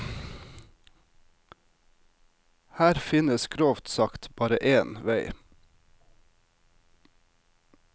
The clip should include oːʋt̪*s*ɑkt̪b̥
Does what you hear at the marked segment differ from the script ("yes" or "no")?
no